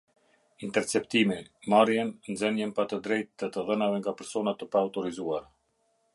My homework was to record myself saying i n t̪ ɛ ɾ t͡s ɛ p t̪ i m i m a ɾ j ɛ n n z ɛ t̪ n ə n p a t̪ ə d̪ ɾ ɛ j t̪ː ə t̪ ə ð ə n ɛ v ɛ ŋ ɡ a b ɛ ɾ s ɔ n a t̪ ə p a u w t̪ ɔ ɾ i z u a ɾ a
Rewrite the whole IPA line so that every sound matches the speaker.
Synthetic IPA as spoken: i n t̪ ɛ ɾ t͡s ɛ p t̪ i m i m a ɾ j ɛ n n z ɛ n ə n p a t̪ ə d̪ ɾ ɛ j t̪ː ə t̪ ə ð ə n a v ɛ ŋ ɡ a p ɛ ɾ s ɔ n a t̪ ə p a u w t̪ ɔ ɾ i z u a ɾ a